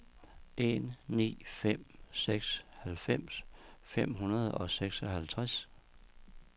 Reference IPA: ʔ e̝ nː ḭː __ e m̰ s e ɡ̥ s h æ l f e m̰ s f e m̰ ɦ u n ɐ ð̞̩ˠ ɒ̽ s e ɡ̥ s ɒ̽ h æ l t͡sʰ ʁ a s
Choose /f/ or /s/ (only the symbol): f